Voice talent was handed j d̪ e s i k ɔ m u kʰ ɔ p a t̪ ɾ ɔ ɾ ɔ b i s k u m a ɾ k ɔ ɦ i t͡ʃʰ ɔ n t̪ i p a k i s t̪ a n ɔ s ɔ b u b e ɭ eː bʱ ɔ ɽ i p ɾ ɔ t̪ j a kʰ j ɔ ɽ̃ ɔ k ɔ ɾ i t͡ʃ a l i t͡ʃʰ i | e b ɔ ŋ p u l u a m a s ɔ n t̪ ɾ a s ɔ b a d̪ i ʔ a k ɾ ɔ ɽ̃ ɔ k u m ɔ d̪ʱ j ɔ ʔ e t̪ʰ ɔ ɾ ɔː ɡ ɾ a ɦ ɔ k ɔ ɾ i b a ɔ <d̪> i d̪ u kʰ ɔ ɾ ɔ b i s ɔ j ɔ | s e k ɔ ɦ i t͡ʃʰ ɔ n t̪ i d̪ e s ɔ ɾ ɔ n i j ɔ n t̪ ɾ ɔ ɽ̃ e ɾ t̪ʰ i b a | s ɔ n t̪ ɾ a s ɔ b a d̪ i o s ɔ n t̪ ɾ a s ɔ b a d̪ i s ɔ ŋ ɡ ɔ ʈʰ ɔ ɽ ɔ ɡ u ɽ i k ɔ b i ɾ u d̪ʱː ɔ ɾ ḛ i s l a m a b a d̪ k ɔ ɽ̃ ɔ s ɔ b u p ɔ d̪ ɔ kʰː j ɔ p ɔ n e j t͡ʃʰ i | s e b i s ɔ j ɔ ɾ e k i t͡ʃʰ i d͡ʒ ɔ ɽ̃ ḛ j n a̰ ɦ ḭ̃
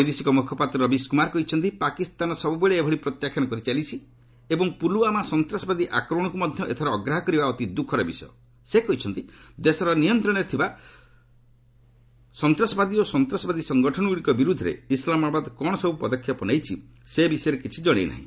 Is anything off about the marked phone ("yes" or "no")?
yes